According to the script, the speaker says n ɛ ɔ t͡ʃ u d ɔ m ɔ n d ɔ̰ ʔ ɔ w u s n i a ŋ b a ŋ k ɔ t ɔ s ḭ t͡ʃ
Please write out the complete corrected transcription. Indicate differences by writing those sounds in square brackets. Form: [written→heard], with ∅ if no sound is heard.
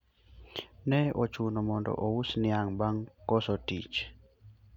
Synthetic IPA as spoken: n ɛ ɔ t͡ʃ u [d→n] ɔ m ɔ n d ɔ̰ ʔ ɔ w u s n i a ŋ b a ŋ k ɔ [t→s] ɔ [s→t] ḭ t͡ʃ